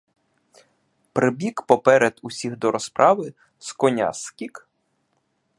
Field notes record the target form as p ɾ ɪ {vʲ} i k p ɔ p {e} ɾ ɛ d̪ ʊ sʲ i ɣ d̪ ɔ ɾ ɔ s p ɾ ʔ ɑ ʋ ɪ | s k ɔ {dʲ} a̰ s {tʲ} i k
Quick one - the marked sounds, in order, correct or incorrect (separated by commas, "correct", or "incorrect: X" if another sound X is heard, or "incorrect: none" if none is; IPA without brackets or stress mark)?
incorrect: bʲ, incorrect: ɛ, incorrect: nʲ, incorrect: kʲ